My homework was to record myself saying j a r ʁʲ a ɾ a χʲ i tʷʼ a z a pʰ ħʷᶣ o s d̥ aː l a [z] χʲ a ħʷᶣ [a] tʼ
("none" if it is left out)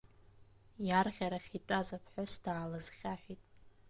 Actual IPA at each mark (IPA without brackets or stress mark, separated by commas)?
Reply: z, i